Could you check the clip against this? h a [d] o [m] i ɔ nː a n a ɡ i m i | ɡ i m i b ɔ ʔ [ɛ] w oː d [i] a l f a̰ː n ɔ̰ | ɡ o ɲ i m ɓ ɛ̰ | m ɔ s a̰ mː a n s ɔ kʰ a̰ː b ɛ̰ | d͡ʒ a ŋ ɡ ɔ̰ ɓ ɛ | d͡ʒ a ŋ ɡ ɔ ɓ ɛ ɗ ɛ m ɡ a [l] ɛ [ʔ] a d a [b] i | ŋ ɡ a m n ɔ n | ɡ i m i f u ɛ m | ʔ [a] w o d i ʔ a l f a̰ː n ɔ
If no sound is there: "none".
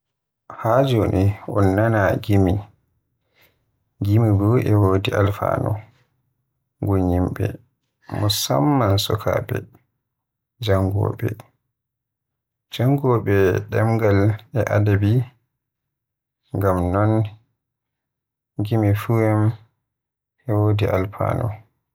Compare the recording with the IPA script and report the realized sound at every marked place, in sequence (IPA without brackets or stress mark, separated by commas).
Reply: d͡ʒ, n, ɛ, i, l, ʔ, b, ɛ